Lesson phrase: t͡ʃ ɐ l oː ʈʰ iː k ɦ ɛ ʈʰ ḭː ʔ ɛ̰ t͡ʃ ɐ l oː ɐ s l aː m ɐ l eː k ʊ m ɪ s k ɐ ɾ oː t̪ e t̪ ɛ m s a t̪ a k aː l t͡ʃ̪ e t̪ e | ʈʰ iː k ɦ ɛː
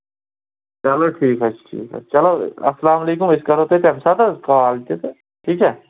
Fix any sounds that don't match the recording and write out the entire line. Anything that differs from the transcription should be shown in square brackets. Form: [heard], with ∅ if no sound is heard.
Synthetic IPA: t͡ʃ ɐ l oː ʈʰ iː k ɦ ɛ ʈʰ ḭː [k] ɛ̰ t͡ʃ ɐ l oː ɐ s l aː m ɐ l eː k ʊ m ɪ s k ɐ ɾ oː t̪ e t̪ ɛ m s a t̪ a k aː l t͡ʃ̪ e t̪ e | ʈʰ iː k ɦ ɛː